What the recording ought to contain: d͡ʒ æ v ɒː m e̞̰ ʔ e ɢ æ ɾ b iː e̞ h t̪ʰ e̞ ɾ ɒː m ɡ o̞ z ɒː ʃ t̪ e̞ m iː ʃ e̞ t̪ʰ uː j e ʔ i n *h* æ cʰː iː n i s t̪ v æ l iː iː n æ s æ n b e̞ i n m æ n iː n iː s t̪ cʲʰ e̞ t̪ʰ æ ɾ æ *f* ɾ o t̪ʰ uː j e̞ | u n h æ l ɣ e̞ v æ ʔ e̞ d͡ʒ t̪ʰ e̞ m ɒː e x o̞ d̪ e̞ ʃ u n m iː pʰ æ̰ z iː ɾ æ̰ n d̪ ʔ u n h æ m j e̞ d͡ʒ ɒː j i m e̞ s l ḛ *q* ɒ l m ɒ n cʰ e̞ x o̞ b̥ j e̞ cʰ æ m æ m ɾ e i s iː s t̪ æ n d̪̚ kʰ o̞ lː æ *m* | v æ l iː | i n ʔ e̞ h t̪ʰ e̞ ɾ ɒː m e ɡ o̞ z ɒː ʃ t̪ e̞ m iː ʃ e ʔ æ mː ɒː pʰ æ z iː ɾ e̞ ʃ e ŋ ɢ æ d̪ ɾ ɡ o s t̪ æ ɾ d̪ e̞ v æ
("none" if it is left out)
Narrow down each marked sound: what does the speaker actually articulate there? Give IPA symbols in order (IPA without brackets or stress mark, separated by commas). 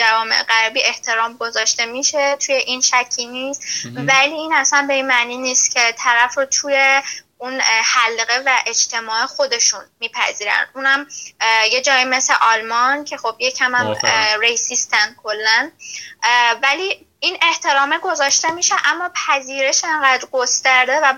ʃ, f, ʔ, n